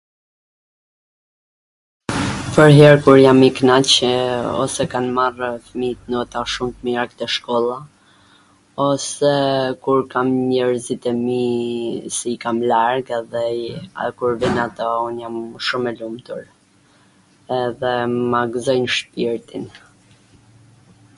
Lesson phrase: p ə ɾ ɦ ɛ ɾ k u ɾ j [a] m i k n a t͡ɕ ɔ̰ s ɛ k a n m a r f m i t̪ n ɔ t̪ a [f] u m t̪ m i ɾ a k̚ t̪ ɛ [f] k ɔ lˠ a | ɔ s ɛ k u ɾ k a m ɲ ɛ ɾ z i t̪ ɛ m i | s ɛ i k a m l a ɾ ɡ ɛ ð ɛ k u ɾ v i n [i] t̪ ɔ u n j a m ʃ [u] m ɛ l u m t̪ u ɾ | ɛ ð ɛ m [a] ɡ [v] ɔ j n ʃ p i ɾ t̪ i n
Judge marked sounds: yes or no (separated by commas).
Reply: yes, no, no, no, yes, yes, no